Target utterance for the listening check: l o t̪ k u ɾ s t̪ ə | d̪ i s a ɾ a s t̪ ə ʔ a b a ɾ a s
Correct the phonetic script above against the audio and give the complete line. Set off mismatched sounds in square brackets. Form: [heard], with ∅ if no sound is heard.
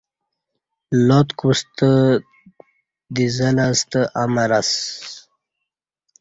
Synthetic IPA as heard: l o t̪ k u [∅] s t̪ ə | d̪ i [z] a [l] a s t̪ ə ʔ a [m] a ɾ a s

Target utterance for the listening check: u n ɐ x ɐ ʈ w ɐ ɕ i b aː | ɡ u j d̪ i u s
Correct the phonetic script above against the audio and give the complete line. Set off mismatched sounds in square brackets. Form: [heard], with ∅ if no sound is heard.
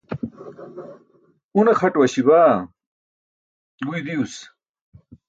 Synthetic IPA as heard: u n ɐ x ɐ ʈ w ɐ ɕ i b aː | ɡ u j d̪ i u s

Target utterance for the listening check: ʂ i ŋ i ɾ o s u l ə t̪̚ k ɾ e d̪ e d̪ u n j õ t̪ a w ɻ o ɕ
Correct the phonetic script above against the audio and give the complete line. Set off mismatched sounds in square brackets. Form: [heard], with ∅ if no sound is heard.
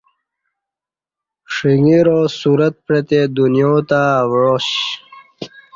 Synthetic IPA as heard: ʂ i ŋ i ɾ o s u [ɾ] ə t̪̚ [p] ɾ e [t̪] e d̪ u n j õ t̪ a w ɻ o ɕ

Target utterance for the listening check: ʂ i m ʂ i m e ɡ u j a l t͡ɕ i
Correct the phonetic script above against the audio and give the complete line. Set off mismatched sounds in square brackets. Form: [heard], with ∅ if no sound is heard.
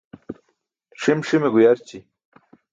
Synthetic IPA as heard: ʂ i m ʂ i m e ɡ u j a [ɾ] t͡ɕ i

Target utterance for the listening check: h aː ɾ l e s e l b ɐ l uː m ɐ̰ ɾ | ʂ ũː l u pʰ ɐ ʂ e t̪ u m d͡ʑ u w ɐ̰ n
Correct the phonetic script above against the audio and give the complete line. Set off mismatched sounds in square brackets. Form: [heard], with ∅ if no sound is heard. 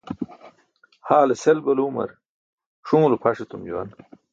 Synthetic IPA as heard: h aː [∅] l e s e l b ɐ l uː m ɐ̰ ɾ | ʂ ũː l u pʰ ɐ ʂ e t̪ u m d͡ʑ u w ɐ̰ n

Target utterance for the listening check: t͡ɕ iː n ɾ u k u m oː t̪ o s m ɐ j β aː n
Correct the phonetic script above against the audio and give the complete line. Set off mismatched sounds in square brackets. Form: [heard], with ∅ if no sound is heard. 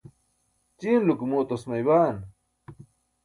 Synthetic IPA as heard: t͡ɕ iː n [l] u k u m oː t̪ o s m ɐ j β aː n

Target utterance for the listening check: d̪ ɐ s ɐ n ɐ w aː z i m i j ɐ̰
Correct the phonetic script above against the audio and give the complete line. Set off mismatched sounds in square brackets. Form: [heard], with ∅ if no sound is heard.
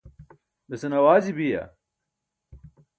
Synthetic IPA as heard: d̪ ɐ s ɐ n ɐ w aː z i [b] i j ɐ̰

